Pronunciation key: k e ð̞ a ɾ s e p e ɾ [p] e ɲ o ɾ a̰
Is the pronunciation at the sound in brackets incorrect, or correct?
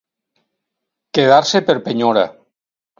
correct